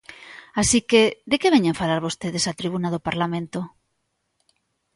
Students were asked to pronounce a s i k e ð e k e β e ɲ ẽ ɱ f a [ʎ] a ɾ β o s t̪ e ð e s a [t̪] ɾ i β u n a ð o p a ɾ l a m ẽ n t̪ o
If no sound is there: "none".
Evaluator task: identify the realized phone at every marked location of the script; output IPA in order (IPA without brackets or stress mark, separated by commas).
l, t̪